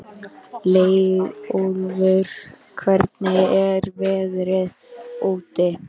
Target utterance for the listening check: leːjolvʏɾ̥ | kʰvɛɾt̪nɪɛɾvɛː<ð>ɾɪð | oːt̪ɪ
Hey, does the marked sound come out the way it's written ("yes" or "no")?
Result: yes